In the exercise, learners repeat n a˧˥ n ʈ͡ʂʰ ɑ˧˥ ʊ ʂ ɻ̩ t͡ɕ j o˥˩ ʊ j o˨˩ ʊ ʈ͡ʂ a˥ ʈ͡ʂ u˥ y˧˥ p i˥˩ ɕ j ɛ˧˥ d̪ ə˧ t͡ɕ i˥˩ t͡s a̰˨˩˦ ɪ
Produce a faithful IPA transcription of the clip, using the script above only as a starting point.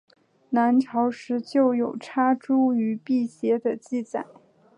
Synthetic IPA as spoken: n a˧˥ n ʈ͡ʂʰ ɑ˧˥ ʊ ʂ ɻ̩ t͡ɕ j o˥˩ ʊ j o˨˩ ʊ ʈ͡ʂʰ a˥ ʈ͡ʂ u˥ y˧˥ p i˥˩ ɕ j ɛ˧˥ d̪ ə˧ t͡ɕ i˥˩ t͡s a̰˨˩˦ ɪ